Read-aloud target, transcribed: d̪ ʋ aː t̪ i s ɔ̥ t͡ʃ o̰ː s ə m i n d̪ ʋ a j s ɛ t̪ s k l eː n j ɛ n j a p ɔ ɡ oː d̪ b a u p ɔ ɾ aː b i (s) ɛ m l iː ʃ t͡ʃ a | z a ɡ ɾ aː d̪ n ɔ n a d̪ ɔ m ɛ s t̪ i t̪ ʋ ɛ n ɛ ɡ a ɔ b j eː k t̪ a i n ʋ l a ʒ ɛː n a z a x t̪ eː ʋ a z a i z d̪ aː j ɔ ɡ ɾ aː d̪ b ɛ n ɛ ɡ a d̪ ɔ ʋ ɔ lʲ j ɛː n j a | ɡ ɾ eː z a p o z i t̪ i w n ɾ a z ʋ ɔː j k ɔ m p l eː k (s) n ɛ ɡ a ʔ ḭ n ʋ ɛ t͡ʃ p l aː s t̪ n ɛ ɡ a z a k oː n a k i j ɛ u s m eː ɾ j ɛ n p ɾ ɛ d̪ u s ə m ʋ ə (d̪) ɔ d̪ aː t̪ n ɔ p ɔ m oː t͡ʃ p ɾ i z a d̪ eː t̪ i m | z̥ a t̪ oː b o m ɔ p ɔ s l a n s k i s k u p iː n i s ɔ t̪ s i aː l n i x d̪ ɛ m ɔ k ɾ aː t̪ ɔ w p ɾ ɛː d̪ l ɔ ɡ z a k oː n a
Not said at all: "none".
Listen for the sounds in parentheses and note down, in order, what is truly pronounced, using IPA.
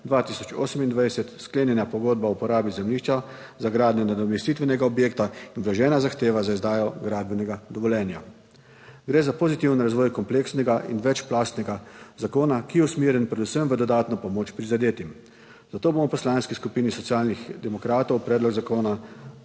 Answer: z, s, d̪

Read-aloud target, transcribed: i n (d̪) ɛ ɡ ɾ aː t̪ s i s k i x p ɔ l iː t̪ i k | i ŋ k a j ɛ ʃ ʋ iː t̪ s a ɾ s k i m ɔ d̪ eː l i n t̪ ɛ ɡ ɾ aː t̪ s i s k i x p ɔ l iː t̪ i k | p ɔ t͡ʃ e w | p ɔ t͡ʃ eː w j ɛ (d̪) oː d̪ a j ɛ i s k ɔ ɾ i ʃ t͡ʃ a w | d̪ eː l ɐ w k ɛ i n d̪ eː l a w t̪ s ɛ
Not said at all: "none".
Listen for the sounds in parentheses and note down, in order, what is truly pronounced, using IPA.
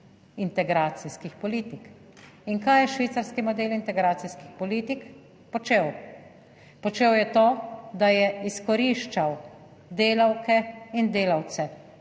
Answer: t̪, t̪

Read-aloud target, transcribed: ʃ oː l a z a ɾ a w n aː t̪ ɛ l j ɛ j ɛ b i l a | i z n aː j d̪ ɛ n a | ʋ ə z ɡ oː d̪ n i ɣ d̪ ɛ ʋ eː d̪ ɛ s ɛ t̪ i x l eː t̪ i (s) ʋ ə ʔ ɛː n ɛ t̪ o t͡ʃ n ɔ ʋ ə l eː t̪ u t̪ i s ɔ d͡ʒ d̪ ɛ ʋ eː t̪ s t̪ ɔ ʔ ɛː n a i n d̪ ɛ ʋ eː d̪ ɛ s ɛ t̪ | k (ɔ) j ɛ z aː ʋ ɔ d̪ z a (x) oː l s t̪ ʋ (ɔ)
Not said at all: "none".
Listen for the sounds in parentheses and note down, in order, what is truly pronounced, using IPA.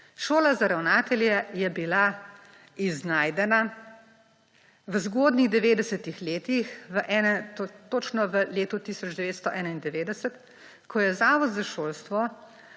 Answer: x, ɔ, ʃ, ɔ

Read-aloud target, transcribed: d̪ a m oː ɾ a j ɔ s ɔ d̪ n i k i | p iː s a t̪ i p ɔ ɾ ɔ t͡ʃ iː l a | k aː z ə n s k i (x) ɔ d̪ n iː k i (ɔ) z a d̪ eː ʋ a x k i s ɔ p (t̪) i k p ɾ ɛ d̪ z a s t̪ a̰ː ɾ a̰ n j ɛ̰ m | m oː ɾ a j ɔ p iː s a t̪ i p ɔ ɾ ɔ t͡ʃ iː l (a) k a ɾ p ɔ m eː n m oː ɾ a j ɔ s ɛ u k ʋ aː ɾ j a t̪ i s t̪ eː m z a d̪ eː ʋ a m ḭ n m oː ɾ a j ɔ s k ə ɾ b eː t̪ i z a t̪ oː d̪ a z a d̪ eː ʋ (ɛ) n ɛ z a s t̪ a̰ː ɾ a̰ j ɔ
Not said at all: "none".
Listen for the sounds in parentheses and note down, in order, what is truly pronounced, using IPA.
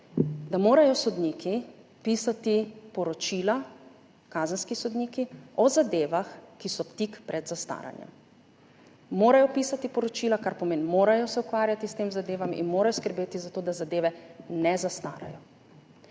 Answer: s, ɔ, t̪, a, ɛ

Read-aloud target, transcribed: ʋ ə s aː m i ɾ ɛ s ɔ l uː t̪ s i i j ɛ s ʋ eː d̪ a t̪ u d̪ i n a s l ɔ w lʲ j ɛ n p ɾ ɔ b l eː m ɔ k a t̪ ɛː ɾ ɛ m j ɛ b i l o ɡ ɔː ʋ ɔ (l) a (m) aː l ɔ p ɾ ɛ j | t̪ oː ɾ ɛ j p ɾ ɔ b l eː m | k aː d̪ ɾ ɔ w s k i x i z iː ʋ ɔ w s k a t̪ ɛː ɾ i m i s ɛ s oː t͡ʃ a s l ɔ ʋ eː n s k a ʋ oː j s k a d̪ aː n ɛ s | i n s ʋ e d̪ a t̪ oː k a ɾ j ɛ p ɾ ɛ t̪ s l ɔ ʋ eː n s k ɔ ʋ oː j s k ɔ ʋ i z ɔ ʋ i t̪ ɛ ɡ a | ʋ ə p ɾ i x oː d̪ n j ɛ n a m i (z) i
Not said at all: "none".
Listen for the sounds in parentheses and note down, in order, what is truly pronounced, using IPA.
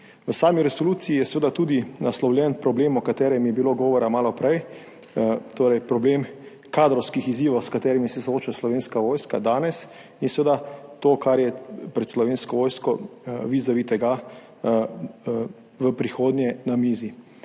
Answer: ɾ, m, z

